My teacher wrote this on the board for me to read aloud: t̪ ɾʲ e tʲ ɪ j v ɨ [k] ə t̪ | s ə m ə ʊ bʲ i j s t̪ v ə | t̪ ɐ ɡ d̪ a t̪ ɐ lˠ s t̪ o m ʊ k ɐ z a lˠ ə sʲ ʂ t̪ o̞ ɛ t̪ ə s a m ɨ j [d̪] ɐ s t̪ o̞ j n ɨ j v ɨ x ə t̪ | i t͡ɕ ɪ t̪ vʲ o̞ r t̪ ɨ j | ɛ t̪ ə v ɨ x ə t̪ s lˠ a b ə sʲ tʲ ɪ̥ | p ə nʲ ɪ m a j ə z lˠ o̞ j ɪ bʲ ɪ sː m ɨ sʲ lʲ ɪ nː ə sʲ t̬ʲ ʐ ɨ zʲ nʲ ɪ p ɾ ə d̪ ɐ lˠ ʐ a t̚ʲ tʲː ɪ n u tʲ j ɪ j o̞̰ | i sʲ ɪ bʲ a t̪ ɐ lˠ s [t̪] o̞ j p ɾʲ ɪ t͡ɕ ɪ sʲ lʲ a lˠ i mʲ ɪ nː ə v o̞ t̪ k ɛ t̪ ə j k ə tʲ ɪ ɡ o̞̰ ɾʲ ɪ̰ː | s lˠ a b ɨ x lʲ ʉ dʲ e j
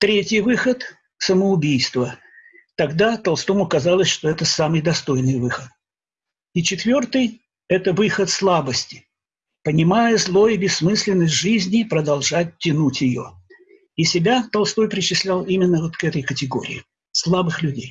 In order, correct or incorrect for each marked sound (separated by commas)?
incorrect, correct, correct